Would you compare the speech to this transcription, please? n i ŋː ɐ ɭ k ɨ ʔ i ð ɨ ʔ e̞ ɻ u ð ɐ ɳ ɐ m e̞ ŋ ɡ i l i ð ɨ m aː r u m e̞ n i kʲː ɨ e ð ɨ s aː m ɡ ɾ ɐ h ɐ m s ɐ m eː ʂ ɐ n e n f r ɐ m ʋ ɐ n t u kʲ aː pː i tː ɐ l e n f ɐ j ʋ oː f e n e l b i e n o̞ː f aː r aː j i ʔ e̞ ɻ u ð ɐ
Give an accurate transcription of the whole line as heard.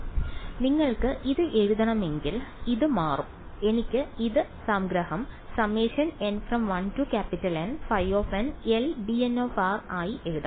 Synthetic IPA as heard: n i ŋː ɐ ɭ k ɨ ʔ i ð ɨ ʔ e̞ ɻ u ð ɐ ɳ ɐ m e̞ ŋ ɡ i l i ð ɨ m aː r u m e̞ n i kʲː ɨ i ð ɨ s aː m ɡ ɾ ɐ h ɐ m s ɐ m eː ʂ ɐ n e n f r ɐ m ʋ ɐ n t u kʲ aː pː i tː ɐ l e n f ɐ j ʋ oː f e n e l b i e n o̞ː f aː r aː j i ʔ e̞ ɻ u ð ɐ